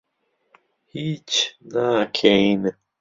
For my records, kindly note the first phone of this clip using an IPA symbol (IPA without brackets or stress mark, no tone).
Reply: h